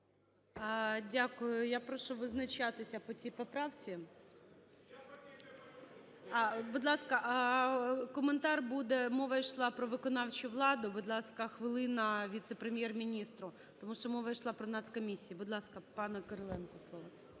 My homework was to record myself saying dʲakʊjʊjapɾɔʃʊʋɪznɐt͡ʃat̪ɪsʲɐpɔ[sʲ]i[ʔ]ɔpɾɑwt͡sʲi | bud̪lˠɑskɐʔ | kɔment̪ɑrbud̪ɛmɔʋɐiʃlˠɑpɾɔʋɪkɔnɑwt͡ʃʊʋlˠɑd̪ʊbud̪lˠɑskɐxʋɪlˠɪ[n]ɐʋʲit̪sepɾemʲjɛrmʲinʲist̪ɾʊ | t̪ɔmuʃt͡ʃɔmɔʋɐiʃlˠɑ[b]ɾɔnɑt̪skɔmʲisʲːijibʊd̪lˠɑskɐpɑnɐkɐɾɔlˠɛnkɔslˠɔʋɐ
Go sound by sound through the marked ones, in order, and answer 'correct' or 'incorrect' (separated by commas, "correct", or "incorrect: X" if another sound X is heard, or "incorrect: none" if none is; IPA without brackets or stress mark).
incorrect: t͡sʲ, incorrect: p, correct, incorrect: p